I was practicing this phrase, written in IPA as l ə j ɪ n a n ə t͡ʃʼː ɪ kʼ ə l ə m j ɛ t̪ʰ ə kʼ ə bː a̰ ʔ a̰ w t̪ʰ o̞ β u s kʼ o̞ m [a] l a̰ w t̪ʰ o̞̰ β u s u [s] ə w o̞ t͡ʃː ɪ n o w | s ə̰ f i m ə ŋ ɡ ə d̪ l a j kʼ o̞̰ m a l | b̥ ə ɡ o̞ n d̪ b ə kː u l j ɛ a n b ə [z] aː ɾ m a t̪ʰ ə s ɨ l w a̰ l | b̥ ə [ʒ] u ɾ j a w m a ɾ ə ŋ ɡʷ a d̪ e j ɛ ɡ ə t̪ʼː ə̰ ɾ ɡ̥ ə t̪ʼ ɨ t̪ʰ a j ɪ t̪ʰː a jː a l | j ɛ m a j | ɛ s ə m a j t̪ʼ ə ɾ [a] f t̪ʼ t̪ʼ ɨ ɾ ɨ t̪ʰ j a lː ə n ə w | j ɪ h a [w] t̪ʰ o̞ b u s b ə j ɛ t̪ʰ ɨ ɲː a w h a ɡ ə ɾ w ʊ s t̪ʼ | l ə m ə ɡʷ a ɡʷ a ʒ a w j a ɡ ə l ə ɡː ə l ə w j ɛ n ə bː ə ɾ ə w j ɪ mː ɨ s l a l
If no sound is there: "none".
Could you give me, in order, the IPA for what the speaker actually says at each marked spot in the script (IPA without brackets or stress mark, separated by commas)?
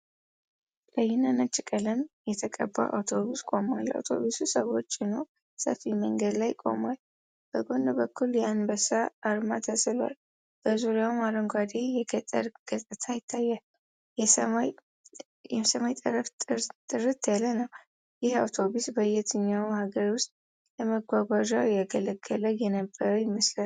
a, s, s, z, ə, w